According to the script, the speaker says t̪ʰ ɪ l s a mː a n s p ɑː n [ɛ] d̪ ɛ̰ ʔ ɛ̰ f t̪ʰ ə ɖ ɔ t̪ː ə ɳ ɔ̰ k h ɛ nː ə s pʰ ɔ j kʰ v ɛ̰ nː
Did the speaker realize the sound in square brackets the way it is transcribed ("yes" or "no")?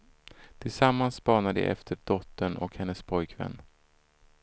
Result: no